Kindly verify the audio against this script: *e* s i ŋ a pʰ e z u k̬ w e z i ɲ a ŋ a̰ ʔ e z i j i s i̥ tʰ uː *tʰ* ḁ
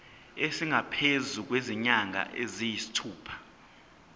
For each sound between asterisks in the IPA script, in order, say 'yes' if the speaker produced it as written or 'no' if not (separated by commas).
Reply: yes, no